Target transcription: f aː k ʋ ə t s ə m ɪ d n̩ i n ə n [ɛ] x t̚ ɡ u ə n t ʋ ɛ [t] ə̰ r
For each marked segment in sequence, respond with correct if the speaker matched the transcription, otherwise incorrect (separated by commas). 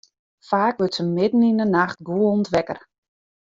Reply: incorrect, incorrect